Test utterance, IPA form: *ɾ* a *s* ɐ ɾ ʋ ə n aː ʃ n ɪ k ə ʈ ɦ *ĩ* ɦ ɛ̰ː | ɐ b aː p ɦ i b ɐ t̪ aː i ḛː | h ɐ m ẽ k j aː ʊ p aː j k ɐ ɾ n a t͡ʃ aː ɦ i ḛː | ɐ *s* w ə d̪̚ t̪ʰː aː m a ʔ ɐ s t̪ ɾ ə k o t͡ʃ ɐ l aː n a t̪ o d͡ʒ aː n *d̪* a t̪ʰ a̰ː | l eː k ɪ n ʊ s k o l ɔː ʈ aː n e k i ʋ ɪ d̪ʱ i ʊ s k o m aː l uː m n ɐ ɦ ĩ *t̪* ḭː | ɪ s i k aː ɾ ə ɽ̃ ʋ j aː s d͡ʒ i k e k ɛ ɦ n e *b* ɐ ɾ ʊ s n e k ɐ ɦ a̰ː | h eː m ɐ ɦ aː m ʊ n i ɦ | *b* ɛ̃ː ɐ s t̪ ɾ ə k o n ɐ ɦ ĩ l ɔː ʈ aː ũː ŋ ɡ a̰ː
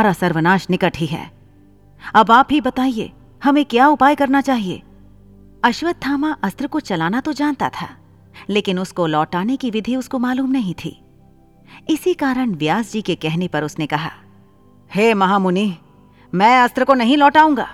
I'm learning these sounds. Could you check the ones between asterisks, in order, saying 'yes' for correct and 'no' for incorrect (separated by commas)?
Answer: yes, yes, no, no, no, no, no, no